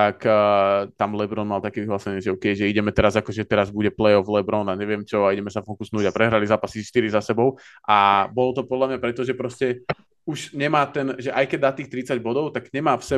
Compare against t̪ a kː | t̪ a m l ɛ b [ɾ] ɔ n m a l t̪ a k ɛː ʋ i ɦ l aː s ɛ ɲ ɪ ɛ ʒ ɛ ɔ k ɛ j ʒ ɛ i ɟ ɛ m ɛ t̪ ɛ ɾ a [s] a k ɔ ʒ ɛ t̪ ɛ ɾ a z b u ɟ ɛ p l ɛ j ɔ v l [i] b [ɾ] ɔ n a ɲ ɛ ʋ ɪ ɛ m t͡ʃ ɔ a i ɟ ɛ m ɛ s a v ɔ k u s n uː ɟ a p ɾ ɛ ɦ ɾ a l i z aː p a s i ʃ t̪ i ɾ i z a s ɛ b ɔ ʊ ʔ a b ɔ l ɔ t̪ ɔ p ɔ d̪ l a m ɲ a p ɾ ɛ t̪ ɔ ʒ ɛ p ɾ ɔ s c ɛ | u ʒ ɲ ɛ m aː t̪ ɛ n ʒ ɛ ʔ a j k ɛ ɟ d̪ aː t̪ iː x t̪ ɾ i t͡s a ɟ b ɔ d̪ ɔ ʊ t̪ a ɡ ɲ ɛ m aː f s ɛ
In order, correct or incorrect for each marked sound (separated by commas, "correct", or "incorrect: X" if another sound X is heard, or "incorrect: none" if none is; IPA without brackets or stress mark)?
correct, incorrect: z, incorrect: ɛ, correct